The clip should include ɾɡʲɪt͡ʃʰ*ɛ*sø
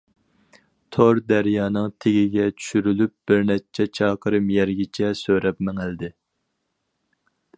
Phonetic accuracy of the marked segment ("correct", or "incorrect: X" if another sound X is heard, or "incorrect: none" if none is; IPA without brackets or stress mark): correct